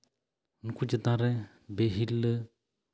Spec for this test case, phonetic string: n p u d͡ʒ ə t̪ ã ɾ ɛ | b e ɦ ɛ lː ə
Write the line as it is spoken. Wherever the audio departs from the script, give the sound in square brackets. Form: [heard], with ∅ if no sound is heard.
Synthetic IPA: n [k] u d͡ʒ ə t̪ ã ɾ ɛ | b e ɦ [i] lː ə